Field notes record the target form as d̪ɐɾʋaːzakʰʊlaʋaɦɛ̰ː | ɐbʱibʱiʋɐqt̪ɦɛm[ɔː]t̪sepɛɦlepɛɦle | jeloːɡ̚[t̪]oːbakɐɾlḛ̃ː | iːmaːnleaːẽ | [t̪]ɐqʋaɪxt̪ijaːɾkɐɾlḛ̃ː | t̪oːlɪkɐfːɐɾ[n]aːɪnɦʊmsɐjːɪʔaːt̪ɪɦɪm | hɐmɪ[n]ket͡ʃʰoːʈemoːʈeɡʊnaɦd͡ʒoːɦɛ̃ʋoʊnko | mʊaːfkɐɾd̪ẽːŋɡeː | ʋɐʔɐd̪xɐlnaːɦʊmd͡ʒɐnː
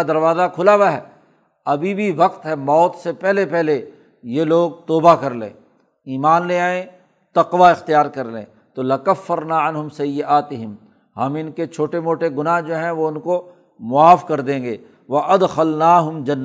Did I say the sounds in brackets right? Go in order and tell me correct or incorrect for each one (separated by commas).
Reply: correct, correct, correct, correct, correct